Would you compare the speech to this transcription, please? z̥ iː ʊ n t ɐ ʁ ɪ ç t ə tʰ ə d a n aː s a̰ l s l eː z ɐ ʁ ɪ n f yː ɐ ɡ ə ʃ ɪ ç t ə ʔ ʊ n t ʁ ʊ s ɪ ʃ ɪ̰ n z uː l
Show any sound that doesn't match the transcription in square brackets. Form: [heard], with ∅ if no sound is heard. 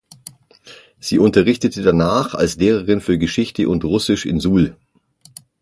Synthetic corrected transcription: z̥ iː ʊ n t ɐ ʁ ɪ ç t ə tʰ ə d a n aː [χ] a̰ l s l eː [ʁ] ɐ ʁ ɪ n f yː ɐ ɡ ə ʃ ɪ ç t ə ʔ ʊ n t ʁ ʊ s ɪ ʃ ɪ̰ n z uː l